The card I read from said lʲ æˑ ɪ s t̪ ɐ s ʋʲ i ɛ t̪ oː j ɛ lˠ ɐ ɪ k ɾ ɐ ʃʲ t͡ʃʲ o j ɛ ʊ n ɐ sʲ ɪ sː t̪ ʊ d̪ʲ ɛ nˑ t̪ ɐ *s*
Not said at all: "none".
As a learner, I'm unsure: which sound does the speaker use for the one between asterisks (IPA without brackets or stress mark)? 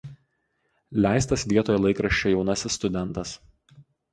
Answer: s